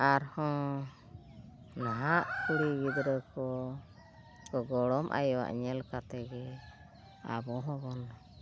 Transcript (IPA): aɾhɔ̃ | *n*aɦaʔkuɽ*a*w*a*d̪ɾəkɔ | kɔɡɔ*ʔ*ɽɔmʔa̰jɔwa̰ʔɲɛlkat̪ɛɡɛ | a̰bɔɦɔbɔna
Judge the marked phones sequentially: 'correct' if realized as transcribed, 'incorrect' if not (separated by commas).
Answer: correct, incorrect, incorrect, incorrect